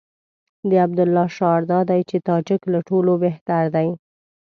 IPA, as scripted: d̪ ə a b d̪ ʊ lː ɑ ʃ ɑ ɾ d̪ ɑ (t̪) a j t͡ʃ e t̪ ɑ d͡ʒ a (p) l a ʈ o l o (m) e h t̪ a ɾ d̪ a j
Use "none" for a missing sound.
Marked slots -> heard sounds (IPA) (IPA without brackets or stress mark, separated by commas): d̪, k, b